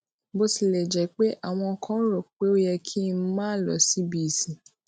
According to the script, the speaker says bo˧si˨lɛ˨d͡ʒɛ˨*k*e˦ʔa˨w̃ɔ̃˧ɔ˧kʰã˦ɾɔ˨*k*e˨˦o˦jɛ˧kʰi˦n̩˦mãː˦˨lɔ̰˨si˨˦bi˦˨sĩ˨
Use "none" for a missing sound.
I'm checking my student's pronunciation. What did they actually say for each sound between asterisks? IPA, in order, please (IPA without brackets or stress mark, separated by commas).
k͡p, k͡p